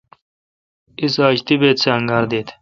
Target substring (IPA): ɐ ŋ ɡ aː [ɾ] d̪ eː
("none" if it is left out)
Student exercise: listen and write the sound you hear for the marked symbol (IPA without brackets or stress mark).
ɾ